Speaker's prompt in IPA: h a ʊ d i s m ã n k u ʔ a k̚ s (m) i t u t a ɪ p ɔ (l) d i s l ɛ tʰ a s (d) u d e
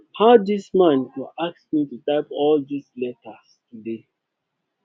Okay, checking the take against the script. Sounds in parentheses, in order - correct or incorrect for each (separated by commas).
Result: correct, correct, incorrect